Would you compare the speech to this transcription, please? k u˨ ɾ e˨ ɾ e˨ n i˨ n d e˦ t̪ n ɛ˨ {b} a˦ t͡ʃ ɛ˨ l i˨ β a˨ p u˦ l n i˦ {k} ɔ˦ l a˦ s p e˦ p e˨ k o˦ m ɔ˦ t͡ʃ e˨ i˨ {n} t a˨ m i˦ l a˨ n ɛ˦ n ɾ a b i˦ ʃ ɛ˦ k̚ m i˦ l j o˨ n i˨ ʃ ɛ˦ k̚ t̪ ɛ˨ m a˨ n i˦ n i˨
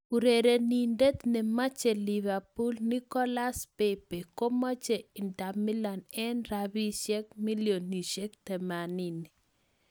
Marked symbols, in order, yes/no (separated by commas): no, yes, yes